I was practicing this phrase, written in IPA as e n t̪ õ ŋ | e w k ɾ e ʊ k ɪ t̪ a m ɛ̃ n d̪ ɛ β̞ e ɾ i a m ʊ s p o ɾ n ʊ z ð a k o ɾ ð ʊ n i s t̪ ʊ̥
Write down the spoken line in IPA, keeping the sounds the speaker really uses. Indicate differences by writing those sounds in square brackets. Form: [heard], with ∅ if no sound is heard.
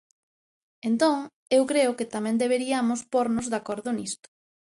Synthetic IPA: e n t̪ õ ŋ | e w k ɾ e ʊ k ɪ t̪ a m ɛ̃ n d̪ [e] β̞ e ɾ i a m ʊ s p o ɾ n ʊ z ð a k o ɾ ð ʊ n i s t̪ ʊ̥